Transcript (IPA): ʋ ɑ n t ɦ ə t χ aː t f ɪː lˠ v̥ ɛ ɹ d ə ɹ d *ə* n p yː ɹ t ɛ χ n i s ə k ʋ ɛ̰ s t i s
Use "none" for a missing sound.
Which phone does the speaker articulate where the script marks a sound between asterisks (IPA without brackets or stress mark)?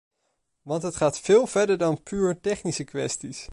ɑ